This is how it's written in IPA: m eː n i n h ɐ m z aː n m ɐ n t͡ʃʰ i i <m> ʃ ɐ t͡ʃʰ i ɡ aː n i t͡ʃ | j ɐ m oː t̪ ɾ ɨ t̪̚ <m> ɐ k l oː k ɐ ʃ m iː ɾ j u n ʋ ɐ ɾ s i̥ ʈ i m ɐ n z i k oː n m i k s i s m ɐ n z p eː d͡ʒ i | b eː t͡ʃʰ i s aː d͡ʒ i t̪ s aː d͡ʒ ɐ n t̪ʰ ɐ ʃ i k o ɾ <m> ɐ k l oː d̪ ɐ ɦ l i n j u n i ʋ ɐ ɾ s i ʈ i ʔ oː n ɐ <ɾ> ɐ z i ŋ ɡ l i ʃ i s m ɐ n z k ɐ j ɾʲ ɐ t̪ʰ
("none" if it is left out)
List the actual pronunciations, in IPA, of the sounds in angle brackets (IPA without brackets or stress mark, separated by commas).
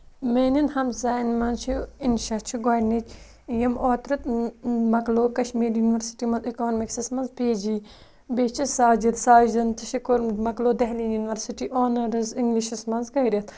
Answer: n, m, m, ɾ